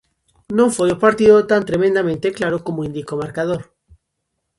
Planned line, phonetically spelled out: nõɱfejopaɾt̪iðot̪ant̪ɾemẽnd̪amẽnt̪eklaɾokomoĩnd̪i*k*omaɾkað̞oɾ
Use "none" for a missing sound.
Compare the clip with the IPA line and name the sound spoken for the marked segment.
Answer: k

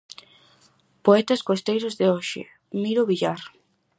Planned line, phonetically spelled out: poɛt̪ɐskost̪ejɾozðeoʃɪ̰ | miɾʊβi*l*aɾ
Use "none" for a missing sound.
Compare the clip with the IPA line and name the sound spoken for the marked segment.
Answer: ʎ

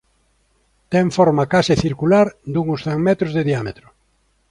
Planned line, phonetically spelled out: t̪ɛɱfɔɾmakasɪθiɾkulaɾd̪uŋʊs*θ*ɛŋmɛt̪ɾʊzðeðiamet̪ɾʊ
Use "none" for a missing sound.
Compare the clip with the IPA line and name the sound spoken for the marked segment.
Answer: θ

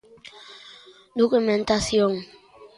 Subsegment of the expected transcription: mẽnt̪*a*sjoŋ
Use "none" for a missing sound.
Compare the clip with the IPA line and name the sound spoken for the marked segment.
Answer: a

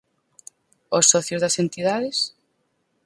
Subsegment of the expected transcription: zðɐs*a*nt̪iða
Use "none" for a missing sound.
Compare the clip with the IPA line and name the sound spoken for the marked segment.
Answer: e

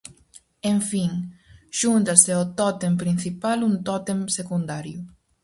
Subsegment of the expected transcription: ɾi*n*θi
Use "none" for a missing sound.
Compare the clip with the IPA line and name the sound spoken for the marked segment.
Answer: n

